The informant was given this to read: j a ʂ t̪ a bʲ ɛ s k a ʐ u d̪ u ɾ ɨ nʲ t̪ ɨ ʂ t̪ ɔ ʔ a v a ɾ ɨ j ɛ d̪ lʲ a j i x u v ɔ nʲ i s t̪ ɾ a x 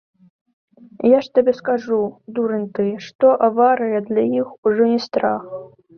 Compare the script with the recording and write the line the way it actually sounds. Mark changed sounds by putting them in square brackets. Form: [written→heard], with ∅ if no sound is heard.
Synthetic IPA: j a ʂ t̪ a bʲ ɛ s k a ʐ u d̪ u ɾ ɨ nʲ t̪ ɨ ʂ t̪ ɔ ʔ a v a ɾ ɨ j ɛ d̪ lʲ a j i x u [v→ʐ] ɔ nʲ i s t̪ ɾ a x